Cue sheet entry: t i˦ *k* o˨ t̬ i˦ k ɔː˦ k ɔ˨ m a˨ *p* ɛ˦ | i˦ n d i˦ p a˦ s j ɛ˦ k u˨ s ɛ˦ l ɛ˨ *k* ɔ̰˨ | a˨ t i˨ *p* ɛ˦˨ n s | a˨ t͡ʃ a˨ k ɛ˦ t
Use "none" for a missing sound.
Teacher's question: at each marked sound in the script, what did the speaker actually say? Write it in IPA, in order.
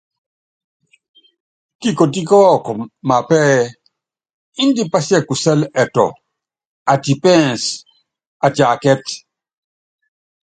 k, p, t, p

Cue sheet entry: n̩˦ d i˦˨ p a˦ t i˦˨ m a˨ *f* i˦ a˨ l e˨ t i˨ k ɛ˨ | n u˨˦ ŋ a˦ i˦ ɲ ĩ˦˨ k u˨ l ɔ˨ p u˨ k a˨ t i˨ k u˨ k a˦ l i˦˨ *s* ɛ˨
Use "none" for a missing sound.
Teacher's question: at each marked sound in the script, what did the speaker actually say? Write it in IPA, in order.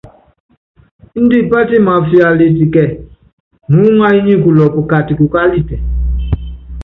f, t

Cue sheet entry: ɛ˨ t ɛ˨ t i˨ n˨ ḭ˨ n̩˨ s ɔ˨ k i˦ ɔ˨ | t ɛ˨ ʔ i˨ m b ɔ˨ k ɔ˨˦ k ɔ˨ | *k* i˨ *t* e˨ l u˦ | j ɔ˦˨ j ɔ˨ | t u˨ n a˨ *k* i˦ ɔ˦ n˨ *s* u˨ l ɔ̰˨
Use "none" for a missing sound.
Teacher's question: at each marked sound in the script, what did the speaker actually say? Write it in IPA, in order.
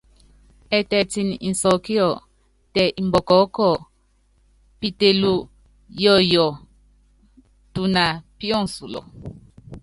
p, t, p, s

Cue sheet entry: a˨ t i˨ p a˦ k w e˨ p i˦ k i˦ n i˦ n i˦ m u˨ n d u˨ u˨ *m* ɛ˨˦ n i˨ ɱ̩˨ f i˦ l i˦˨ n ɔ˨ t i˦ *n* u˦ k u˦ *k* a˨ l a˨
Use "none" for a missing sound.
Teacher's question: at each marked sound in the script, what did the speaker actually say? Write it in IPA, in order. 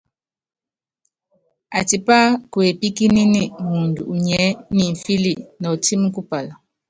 ɲ, m, p

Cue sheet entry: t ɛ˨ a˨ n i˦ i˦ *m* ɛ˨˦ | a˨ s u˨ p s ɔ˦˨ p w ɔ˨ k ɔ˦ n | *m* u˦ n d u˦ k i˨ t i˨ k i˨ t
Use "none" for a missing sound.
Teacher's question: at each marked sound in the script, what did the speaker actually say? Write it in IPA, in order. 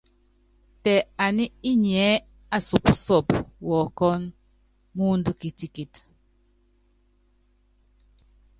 ɲ, m

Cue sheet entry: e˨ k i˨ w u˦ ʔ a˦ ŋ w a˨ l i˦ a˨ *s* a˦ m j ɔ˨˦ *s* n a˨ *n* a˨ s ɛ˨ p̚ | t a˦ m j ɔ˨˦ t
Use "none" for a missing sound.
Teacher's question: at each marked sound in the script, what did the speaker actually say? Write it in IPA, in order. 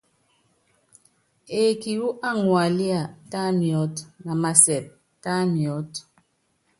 t, t, m

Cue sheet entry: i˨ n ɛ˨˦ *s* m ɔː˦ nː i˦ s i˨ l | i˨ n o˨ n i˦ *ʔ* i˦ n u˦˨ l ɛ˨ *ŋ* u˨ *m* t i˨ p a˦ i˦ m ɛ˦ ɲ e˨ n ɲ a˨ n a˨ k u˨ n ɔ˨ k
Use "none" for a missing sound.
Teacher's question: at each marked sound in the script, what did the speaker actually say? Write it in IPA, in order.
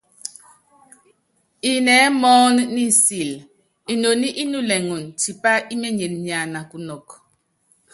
none, ʔ, ŋ, n

